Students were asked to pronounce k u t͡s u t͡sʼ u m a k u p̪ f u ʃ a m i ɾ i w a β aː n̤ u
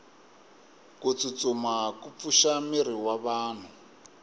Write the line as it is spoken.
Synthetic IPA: k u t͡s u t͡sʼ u m a k u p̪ f u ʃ a m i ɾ i w a β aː n̤ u